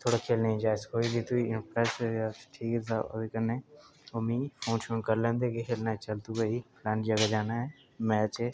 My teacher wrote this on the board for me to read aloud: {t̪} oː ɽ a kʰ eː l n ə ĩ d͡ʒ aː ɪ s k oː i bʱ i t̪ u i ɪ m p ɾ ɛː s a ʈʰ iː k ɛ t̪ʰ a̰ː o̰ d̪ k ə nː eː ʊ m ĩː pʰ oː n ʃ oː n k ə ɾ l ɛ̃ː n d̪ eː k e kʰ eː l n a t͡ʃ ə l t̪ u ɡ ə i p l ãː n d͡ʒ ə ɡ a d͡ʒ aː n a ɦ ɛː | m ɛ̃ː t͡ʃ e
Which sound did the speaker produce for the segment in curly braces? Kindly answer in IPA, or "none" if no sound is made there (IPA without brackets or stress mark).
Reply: t̪ʰ